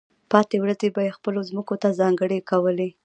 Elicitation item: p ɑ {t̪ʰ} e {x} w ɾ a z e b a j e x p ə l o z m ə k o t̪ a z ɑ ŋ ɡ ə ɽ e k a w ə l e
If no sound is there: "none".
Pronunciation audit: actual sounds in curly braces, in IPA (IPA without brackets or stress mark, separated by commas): t̪, none